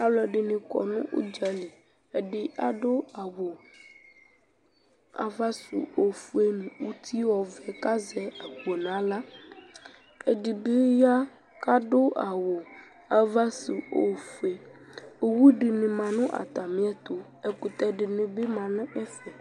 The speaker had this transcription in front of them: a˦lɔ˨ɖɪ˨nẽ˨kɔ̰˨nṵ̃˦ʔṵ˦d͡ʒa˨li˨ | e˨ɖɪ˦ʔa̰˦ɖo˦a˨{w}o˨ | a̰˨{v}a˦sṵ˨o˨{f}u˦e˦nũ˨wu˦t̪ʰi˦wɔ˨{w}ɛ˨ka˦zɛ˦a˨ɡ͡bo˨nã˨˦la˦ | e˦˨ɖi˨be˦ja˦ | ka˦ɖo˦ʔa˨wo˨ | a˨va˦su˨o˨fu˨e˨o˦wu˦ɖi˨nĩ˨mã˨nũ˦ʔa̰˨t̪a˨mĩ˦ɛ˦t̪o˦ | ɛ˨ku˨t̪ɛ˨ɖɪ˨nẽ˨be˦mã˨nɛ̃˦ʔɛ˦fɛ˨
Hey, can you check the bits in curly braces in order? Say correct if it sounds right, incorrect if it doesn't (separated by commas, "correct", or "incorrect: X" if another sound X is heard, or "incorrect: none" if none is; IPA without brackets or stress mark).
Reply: correct, correct, correct, incorrect: v